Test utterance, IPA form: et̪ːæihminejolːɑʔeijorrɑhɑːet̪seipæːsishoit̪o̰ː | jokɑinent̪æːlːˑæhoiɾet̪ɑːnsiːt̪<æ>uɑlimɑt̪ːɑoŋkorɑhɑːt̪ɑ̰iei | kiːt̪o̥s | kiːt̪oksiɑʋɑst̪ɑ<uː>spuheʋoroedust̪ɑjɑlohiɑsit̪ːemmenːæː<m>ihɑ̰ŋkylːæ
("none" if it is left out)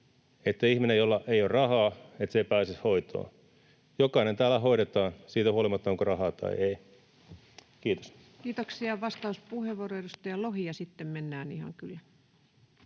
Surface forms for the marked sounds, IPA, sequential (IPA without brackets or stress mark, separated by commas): æ, u, n